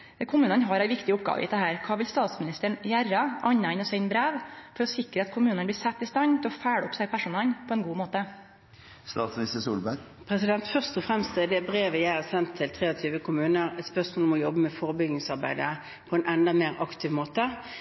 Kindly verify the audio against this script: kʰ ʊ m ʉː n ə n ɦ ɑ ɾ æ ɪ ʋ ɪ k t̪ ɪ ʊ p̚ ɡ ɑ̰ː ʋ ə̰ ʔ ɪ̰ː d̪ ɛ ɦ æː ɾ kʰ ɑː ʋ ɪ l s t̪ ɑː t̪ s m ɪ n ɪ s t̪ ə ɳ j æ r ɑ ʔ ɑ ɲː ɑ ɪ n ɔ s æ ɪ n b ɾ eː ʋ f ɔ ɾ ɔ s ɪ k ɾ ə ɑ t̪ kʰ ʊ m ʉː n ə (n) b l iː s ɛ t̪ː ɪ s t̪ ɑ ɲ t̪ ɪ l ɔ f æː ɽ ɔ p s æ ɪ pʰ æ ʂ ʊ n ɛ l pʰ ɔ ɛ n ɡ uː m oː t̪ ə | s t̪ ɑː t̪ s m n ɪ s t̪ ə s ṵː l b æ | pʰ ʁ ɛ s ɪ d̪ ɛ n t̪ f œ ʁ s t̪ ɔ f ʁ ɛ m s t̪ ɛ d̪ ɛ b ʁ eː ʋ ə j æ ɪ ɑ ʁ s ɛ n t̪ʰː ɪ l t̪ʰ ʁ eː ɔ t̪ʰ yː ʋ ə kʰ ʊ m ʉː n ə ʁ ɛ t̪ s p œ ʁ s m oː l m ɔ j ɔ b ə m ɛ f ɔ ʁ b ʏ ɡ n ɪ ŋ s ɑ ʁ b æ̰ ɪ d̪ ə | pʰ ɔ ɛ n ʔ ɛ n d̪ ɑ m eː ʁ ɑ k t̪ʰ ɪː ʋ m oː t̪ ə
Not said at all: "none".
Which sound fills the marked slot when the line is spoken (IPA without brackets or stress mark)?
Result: n